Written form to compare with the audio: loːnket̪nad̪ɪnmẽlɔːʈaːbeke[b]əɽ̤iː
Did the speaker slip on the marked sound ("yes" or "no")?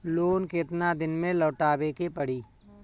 yes